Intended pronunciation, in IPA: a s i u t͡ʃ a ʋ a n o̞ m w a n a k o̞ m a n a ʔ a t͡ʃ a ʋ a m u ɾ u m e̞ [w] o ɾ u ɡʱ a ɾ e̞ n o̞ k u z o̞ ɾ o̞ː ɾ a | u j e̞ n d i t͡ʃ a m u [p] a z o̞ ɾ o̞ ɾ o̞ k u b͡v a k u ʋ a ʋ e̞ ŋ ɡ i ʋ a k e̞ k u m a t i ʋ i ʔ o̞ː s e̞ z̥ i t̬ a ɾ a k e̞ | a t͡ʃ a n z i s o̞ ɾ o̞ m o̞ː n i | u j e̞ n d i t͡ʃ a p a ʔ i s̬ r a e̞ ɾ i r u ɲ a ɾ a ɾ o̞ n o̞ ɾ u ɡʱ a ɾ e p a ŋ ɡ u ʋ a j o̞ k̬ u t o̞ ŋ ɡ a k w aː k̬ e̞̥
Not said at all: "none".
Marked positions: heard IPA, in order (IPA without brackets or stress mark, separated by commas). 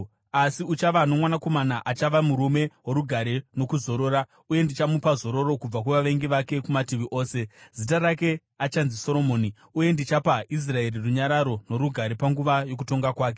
w, p